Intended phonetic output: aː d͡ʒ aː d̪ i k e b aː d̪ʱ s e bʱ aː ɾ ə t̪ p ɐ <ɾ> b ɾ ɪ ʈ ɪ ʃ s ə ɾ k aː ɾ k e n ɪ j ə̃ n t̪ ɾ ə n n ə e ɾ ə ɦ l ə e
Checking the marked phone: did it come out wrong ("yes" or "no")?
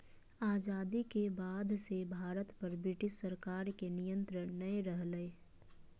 no